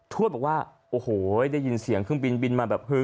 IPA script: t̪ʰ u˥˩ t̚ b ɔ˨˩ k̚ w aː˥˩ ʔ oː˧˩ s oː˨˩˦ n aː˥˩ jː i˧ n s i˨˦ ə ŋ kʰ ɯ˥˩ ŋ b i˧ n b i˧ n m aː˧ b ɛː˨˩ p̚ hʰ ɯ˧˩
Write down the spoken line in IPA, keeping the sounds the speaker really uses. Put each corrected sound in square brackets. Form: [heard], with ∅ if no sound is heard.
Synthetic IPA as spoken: t̪ʰ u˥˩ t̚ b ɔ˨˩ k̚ w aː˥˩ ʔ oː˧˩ [h] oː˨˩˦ [d] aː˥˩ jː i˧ n s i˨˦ ə ŋ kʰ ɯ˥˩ ŋ b i˧ n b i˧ n m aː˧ b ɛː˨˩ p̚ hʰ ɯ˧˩